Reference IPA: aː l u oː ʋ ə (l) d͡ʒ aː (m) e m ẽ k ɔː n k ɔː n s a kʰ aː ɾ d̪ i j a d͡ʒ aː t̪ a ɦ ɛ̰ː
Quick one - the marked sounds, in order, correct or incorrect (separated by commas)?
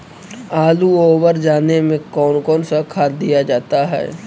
incorrect, incorrect